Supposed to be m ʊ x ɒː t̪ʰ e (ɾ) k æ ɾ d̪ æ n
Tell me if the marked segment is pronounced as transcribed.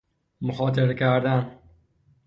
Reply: yes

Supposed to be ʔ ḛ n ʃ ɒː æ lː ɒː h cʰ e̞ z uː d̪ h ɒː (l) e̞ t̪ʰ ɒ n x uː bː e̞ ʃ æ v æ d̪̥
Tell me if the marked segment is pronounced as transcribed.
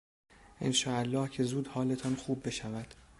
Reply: yes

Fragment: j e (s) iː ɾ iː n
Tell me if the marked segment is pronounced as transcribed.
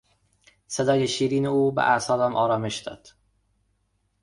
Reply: no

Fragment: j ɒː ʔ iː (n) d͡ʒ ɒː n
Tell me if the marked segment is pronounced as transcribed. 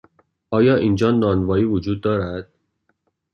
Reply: yes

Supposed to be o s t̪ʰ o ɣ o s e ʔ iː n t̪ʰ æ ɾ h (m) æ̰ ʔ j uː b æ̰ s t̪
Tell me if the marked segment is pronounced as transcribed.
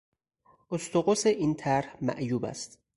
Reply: yes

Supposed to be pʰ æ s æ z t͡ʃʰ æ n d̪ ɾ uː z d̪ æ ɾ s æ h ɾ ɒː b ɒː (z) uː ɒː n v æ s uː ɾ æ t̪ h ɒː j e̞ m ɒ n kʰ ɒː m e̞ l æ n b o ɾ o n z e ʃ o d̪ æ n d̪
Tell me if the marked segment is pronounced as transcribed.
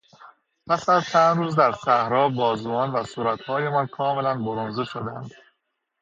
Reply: yes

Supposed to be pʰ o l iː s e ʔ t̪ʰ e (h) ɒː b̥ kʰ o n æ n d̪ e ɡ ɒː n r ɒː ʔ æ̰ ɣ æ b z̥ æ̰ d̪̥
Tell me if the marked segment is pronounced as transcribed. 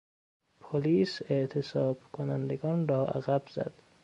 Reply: no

